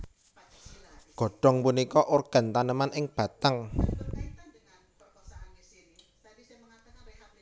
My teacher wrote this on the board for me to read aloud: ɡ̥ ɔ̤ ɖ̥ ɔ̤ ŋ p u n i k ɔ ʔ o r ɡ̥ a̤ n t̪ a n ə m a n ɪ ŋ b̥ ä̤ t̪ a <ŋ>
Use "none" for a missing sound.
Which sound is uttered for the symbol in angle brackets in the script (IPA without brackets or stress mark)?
ŋ